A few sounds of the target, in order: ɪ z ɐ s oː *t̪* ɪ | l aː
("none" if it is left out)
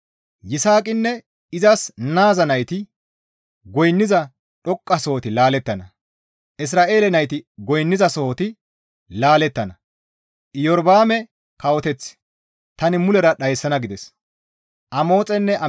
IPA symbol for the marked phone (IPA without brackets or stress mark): t̪